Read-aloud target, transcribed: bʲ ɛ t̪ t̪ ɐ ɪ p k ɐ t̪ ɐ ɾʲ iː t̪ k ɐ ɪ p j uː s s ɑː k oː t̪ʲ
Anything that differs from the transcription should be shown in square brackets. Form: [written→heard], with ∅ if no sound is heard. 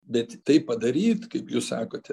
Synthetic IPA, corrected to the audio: bʲ ɛ t̪ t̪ ɐ ɪ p [k→p] ɐ [t̪→d̪] ɐ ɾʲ iː t̪ k ɐ ɪ p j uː s s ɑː k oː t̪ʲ